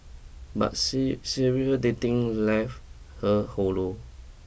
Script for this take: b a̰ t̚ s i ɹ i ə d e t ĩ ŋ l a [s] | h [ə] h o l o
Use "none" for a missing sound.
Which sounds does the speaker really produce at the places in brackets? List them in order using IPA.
f, ə

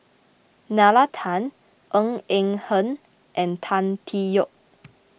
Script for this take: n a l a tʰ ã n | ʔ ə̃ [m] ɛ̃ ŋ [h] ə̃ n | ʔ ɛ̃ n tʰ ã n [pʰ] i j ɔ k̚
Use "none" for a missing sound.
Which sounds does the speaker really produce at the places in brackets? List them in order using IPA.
ŋ, h, tʰ

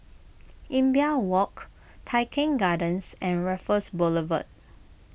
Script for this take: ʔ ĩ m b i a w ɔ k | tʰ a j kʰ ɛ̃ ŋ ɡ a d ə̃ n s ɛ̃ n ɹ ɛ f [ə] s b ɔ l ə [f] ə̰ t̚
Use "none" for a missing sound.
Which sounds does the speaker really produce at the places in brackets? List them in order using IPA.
ə, v

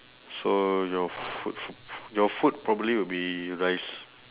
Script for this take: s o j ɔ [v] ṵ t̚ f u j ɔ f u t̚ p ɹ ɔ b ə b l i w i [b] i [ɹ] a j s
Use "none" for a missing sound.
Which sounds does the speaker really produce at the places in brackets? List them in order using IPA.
f, b, ɹ

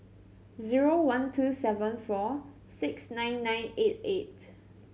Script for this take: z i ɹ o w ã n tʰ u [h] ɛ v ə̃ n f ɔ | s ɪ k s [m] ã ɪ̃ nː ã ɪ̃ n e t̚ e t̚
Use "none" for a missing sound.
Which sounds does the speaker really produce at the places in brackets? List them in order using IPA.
s, n

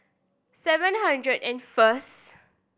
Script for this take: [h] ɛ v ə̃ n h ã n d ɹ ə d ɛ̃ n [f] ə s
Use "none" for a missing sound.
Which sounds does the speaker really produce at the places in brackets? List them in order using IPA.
s, f

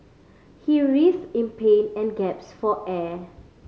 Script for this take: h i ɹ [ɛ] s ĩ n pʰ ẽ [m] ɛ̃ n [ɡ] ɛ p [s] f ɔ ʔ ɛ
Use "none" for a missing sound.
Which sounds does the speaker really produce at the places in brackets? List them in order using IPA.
i, n, ɡ, s

